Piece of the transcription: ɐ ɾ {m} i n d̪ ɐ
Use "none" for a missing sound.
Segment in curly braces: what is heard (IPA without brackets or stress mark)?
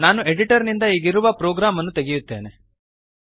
n